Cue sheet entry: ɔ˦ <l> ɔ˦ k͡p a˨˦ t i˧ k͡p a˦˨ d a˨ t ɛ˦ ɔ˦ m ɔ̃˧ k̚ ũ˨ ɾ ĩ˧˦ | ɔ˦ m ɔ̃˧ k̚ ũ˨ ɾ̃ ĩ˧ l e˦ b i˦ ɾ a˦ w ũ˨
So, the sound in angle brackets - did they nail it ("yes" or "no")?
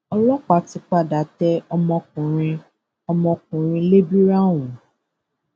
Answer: yes